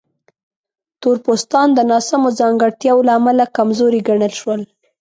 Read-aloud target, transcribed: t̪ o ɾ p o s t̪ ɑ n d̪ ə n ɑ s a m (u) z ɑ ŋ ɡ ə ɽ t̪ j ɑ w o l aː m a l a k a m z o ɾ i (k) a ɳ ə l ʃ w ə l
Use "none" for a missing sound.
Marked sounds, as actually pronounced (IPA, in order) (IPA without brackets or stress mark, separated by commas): o, ɡ